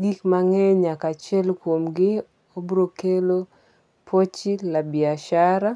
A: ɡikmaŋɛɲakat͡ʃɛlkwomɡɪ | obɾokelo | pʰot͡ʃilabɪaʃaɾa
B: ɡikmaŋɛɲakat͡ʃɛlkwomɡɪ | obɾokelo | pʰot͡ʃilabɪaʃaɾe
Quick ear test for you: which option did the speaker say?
A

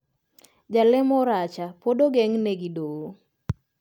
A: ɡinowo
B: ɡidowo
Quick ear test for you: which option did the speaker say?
B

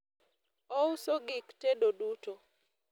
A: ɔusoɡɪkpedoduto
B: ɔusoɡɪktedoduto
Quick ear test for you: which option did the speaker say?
B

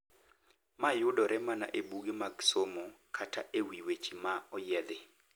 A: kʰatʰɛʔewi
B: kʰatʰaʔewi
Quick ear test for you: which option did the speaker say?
B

